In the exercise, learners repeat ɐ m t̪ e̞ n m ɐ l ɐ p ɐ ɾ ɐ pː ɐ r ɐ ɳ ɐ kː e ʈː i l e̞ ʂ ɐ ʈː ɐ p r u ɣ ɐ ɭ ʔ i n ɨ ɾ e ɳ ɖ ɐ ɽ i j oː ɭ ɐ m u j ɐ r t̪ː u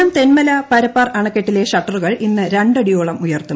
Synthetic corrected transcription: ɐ m t̪ e̞ n m ɐ l ɐ p ɐ ɾ ɐ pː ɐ r ɐ ɳ ɐ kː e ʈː i l e̞ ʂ ɐ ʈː ɐ r u ɣ ɐ ɭ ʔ i nː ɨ ɾ e ɳ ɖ ɐ ɽ i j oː ɭ ɐ m u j ɐ r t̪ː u